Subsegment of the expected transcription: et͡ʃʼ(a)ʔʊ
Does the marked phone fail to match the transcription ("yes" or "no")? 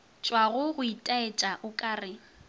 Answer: no